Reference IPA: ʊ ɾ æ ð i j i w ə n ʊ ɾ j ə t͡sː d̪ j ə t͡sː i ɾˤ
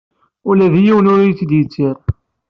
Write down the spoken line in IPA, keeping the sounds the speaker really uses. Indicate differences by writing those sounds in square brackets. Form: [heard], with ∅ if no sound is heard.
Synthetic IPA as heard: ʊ [l] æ ð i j i w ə n ʊ ɾ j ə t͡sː d̪ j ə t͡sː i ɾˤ